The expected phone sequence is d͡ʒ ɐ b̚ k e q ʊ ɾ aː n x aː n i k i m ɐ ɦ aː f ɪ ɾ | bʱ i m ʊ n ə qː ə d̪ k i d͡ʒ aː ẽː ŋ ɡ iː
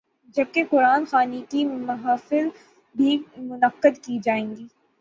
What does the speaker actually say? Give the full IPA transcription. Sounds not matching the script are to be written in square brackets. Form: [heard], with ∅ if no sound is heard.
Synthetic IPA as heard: d͡ʒ ɐ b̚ k e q ʊ ɾ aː n x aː n i k i m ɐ ɦ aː f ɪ [l] | bʱ i m ʊ n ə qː ə d̪ k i d͡ʒ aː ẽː ŋ ɡ iː